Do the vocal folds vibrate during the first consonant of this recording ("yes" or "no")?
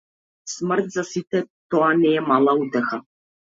no